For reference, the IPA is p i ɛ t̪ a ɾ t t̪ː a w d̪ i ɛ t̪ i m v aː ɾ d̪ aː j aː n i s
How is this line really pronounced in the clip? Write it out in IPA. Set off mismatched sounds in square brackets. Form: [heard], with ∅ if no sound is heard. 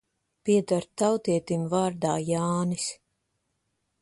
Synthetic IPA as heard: p i ɛ [d̪] a ɾ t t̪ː a w [t̪] i ɛ t̪ i m v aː ɾ d̪ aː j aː n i s